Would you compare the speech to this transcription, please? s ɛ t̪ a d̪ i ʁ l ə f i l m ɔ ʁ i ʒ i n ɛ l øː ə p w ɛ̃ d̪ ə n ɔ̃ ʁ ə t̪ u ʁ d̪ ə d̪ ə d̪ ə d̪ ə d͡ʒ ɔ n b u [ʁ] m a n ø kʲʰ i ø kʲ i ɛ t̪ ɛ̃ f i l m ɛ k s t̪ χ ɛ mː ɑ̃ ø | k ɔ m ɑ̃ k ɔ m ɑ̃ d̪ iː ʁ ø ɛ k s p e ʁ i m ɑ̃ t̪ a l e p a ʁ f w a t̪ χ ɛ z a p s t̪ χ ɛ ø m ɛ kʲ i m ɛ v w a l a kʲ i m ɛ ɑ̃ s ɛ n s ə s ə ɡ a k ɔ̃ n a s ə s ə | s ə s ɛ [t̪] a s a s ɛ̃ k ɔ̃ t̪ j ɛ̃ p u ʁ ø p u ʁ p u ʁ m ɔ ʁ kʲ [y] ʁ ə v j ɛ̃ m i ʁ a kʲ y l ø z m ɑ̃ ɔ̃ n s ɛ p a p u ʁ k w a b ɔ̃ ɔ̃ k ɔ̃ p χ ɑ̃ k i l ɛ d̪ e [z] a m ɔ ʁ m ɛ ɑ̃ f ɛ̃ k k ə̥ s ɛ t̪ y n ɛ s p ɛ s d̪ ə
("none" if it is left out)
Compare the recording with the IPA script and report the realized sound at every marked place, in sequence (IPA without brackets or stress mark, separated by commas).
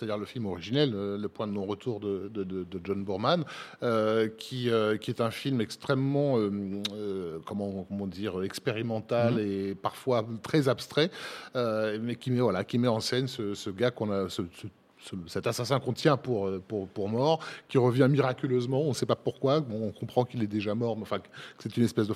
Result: ʁ, t̪, i, ʒ